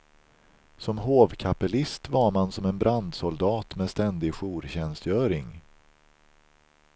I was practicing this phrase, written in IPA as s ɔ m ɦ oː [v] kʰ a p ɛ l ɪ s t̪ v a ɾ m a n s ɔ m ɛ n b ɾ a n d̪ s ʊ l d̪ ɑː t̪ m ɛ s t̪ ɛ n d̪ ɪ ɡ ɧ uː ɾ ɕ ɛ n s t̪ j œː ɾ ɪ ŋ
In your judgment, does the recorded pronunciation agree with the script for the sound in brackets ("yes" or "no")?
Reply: yes